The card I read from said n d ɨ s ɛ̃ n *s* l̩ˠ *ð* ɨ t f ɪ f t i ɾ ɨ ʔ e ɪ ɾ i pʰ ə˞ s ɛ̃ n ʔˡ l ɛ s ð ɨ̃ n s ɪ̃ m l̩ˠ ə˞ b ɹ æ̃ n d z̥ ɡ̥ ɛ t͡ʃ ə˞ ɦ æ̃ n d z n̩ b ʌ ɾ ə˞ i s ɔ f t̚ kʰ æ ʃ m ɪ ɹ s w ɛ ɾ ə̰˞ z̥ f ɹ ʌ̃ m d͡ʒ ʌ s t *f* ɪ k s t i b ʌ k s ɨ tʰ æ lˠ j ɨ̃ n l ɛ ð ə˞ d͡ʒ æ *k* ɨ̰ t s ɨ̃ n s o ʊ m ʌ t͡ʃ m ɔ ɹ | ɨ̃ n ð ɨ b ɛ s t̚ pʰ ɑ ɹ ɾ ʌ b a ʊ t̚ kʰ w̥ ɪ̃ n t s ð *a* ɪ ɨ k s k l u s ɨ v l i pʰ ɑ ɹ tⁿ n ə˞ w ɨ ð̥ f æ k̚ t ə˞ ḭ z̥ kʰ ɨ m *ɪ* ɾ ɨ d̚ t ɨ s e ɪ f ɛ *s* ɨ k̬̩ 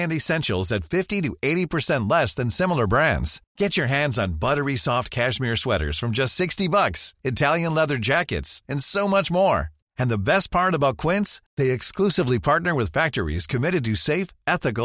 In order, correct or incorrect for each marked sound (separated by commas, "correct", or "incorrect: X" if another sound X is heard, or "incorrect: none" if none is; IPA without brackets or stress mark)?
incorrect: ʃ, incorrect: z, incorrect: s, correct, incorrect: e, correct, incorrect: θ